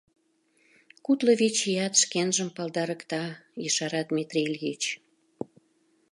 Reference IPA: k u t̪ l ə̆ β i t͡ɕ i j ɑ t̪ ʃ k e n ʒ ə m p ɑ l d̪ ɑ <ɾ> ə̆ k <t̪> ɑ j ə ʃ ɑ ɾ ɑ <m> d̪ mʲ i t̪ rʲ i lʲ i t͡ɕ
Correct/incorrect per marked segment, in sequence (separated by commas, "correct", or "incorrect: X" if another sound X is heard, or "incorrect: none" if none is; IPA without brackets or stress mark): correct, correct, incorrect: none